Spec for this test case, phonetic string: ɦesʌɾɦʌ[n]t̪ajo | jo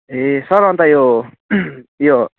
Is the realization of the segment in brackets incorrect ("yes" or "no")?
no